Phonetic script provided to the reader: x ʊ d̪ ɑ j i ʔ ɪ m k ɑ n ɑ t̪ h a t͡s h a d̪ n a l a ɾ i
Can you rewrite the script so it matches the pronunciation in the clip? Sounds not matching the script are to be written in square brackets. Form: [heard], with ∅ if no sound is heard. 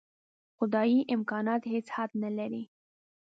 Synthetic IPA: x ʊ d̪ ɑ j i ʔ ɪ m k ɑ n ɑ t̪ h [e] t͡s h a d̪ n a l a ɾ i